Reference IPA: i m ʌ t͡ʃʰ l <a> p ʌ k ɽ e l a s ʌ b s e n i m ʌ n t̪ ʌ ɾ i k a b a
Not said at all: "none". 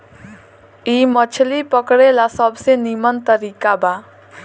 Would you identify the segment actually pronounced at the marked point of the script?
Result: i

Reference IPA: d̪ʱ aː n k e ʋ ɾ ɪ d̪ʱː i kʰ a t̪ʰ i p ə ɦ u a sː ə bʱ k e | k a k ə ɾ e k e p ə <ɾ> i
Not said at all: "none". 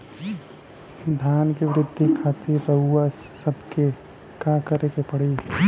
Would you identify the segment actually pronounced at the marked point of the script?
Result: ɽ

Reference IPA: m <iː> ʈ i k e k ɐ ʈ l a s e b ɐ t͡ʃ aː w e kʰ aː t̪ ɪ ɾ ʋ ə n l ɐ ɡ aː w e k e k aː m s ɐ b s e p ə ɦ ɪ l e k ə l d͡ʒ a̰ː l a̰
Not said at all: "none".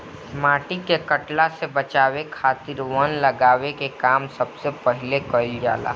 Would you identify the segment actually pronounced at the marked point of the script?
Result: aː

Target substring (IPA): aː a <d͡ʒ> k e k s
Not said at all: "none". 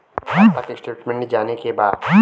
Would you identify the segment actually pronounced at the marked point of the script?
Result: none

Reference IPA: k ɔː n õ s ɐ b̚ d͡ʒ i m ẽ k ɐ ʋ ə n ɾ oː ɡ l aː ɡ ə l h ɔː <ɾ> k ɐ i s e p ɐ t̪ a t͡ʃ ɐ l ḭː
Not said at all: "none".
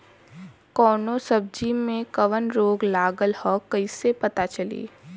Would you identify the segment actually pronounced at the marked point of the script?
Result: none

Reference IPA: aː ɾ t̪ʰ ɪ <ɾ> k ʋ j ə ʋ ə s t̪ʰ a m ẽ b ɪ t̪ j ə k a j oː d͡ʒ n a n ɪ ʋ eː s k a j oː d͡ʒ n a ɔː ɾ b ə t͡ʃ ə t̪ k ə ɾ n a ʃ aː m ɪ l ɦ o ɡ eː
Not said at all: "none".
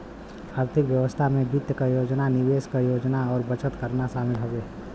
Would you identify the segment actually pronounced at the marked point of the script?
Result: none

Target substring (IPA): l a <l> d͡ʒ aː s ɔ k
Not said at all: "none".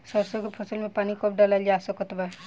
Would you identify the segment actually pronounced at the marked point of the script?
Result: l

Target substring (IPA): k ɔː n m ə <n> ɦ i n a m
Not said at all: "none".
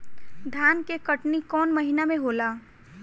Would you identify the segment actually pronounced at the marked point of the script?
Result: none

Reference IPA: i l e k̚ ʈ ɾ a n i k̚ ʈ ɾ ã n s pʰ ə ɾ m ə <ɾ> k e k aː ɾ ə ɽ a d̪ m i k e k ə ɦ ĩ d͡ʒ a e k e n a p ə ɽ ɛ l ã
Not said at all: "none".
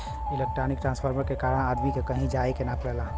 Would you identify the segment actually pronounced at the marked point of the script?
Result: ɾ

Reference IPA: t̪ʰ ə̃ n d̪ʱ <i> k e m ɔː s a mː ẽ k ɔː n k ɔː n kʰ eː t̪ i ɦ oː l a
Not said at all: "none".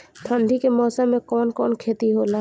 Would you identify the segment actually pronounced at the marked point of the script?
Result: i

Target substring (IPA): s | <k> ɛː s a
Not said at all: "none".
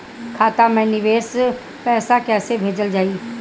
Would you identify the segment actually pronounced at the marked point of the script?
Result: p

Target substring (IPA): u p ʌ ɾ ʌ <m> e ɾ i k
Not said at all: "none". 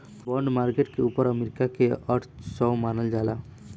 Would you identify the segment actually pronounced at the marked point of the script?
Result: m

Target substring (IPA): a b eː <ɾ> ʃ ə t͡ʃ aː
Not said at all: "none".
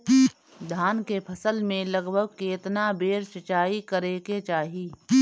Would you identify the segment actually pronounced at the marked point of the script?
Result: ɾ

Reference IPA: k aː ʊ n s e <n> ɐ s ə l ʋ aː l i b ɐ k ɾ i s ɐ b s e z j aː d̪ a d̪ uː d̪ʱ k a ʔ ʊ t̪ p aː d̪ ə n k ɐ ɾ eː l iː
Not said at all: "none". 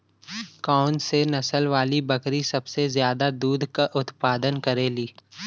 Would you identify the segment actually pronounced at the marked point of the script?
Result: n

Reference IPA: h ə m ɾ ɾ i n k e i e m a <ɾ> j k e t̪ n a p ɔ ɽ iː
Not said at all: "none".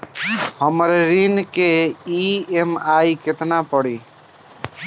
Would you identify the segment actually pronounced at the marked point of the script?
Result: none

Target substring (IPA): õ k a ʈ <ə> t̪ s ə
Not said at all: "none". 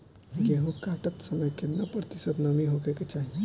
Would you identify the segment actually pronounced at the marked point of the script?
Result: ə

